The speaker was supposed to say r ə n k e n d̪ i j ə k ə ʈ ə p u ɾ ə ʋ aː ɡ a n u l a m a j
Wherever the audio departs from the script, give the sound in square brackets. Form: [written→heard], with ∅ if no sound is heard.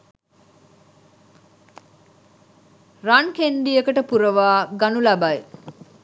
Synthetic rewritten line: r [ə→a] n k e n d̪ i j ə k ə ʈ ə p u ɾ ə ʋ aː ɡ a n u l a [m→b] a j